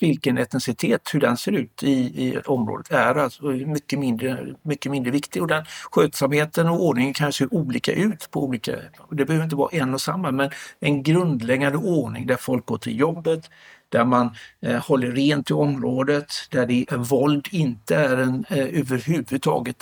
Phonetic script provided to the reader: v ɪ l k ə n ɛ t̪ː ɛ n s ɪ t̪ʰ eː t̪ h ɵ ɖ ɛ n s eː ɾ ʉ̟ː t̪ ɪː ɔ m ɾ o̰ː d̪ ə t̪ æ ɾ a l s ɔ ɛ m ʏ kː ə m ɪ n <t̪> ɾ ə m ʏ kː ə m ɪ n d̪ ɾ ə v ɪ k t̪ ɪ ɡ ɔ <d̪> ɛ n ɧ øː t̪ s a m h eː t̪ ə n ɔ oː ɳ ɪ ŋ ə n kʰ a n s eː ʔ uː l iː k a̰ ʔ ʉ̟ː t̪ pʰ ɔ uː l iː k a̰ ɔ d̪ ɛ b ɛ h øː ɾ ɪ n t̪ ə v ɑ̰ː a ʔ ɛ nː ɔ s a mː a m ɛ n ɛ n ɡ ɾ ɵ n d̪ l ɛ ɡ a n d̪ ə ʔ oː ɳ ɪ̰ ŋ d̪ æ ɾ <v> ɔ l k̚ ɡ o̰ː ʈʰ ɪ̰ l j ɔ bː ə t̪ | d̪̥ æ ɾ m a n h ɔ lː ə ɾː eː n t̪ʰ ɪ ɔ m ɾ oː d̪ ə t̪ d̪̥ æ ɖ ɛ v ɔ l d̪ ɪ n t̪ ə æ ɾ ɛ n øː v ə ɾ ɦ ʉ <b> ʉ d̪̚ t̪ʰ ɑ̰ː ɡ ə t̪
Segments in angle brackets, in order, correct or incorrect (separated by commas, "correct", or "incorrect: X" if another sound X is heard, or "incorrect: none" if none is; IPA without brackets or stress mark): incorrect: d̪, correct, incorrect: f, incorrect: v